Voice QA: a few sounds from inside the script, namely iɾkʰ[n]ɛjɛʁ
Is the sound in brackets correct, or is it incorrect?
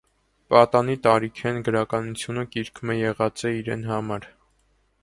incorrect